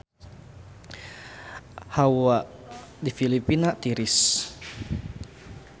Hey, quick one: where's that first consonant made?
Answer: throat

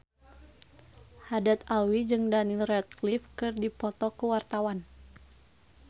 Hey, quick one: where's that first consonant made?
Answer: throat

